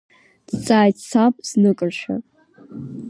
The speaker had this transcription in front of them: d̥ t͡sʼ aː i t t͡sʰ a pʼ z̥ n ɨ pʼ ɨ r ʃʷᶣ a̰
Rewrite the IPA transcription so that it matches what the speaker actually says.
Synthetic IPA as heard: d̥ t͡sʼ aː j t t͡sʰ a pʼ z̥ n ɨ kʼ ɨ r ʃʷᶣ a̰

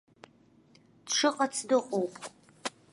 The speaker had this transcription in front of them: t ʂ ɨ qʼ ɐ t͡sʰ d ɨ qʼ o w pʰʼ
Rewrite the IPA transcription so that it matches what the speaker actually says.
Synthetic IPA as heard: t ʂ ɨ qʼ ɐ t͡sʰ d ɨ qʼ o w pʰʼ

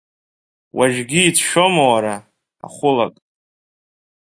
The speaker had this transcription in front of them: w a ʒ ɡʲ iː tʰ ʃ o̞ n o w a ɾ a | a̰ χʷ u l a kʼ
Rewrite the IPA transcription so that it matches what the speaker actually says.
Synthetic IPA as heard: w a ʒ ɡʲ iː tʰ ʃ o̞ m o w a ɾ a | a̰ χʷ ʊ l a kʼ

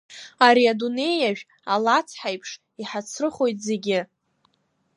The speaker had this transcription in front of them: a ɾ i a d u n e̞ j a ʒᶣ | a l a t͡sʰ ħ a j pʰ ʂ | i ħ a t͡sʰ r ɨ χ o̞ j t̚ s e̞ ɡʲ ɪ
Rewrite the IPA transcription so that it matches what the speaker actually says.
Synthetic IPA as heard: a ɾ i a d u n e̞ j a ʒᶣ | a l a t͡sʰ ħ a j pʰ ʂ | i ħ a t͡sʰ r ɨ χ o̞ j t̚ z e̞ ɡʲ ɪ

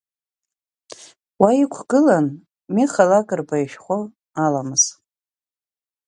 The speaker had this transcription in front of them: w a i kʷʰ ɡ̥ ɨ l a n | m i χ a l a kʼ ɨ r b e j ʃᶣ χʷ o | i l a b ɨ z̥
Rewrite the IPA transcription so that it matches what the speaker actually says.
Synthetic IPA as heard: w a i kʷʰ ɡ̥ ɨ l a n | m i χ a l a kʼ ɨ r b a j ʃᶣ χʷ o | a l a m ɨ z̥

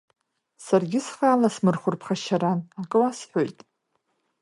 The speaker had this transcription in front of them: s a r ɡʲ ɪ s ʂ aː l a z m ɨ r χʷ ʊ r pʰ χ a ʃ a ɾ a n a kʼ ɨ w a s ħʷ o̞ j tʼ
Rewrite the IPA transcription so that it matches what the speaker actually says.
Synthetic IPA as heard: s a r ɡʲ ɪ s χ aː l a s m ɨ r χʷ ʊ r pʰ χ a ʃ a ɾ a n a kʼ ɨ w a s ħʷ o̞ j tʼ

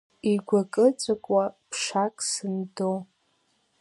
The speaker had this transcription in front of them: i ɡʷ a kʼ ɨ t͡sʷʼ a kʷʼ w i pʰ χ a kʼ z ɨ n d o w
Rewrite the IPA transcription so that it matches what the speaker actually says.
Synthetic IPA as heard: i ɡʷ a kʼ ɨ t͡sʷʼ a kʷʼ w a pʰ ʂ a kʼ s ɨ n d o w

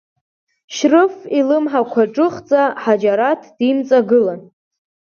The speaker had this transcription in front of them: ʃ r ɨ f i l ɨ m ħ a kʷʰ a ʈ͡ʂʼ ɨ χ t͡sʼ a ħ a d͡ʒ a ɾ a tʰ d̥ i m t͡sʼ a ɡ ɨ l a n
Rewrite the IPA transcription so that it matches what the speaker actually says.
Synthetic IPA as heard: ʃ r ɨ f i l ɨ m ħ a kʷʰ a ʈ͡ʂʼ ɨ χ t͡sʼ a ħ a d͡ʒ a ɾ a tʰ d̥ i m t͡sʼ a ɡ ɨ l a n

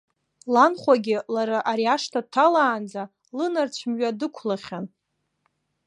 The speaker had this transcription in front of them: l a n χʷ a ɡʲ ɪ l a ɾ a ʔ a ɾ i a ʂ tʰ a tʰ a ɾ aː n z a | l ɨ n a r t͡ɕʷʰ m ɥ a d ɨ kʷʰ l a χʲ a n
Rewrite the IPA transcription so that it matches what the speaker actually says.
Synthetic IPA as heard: l a n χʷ a ɡʲ ɪ l a ɾ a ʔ a ɾ i a ʂ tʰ a tʰ a l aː n d͡z a | l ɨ n a r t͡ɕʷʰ m ɥ a d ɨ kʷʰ l a χʲ a n

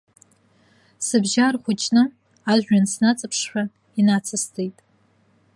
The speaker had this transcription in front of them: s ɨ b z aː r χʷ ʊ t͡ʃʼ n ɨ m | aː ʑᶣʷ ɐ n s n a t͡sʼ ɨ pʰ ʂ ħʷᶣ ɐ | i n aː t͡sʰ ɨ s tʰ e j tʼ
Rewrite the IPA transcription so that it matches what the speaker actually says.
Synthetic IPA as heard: s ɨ b ʒ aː r χʷ ʊ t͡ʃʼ n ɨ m | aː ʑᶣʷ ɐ n s n a t͡sʼ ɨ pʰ ʂ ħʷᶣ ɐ | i n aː t͡sʰ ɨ s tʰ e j tʼ

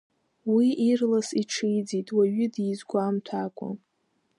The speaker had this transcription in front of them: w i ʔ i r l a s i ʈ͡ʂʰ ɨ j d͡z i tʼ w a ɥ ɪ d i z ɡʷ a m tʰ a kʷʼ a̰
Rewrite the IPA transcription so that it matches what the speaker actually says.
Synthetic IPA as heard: w i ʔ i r l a s i ʈ͡ʂʰ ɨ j d͡z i tʼ w a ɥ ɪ d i z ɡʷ a m tʰ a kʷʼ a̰

